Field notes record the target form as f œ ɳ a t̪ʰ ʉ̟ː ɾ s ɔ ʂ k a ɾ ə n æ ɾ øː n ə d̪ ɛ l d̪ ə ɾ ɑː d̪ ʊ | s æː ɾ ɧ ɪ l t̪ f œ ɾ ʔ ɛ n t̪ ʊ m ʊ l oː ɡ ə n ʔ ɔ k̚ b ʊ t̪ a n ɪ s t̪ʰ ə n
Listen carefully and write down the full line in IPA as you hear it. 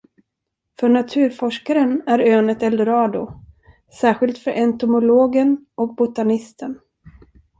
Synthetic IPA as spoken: f œ ɳ a t̪ʰ ʉ̟ː ɾ f ɔ ʂ k a ɾ ə n æ ɾ øː n ə t̪ ɛ l d̪ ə ɾ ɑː d̪ ʊ | s æː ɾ ɧ ɪ l t̪ f œ ɾ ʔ ɛ n t̪ ʊ m ʊ l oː ɡ ə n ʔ ɔ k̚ b ʊ t̪ a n ɪ s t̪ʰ ə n